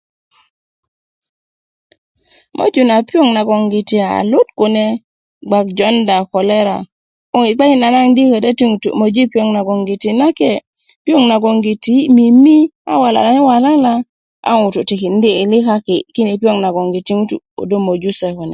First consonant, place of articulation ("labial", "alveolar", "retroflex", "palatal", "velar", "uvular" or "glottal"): labial